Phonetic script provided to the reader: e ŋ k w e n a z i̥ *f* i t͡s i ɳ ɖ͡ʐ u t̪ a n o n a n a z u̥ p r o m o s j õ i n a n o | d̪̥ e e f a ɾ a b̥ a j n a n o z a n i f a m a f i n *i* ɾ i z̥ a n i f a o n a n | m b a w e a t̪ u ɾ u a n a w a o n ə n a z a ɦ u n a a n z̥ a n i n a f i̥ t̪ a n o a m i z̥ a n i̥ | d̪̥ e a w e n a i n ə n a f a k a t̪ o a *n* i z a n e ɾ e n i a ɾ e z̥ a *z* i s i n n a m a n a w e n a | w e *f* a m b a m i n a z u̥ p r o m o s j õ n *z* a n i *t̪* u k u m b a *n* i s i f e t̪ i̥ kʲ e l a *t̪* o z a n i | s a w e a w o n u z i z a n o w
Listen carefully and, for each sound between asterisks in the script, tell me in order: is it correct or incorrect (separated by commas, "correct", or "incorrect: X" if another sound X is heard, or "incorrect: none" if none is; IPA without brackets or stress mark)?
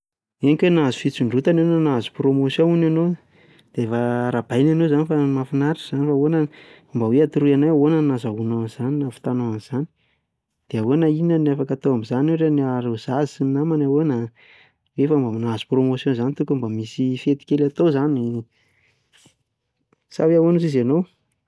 correct, incorrect: a, incorrect: m, correct, correct, correct, correct, incorrect: m, correct